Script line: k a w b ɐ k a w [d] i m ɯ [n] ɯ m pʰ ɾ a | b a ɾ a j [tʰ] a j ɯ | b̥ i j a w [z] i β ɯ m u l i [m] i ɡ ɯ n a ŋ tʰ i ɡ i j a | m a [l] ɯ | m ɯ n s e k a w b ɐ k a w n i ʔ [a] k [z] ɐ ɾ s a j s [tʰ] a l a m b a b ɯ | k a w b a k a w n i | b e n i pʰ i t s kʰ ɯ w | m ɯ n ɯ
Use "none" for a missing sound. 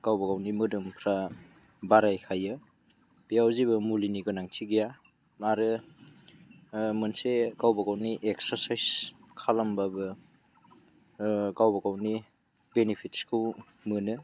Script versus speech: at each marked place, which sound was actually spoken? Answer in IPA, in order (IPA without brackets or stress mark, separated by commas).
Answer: n, d, kʰ, z, n, ɾ, e, s, kʰ